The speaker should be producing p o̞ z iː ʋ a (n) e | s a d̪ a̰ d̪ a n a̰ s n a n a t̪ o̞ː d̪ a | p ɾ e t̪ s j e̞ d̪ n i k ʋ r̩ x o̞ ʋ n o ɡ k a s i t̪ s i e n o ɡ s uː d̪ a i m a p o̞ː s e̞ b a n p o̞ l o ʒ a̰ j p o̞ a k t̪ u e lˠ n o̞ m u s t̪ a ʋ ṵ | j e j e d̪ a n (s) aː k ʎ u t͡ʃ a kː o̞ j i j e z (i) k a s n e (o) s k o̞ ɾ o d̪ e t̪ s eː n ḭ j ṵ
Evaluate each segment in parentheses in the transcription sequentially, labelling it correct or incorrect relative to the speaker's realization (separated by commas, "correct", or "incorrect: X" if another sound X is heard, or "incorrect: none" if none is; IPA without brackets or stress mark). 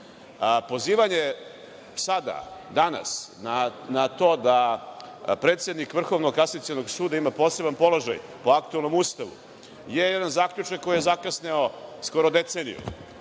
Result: incorrect: ɲ, incorrect: z, incorrect: a, correct